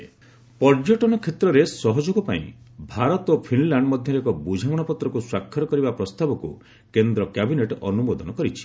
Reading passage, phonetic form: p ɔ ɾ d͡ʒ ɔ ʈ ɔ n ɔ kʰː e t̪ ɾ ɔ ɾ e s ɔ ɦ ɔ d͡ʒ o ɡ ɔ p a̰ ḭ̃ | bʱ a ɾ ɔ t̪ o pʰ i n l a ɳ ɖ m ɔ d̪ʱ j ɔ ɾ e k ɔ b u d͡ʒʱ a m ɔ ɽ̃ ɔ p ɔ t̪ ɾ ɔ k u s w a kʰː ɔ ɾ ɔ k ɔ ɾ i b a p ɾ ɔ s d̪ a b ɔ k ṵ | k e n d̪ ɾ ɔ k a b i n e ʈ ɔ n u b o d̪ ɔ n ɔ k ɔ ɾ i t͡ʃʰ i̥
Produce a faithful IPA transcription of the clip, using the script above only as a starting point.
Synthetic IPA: p ɔ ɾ d͡ʒ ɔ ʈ ɔ n ɔ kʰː e t̪ ɾ ɔ ɾ e s ɔ ɦ ɔ d͡ʒ o ɡ ɔ p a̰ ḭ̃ | bʱ a ɾ ɔ t̪ o pʰ i n l a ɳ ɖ m ɔ d̪ʱ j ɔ ɾ e k ɔ b u d͡ʒʱ a m ɔ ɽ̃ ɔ p ɔ t̪ ɾ ɔ k u s w a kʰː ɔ ɾ ɔ k ɔ ɾ i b a p ɾ ɔ s t̪ a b ɔ k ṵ | k e n d̪ ɾ ɔ k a b i n e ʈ ɔ n u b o d̪ ɔ n ɔ k ɔ ɾ i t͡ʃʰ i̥